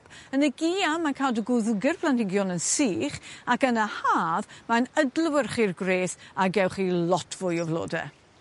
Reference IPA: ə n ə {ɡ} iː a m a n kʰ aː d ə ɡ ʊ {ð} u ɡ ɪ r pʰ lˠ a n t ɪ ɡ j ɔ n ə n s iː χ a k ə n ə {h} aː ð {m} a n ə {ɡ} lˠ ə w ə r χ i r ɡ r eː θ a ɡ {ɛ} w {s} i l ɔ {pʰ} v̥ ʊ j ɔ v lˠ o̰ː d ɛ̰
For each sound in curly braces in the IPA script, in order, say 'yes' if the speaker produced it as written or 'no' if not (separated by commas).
yes, yes, yes, yes, no, yes, no, no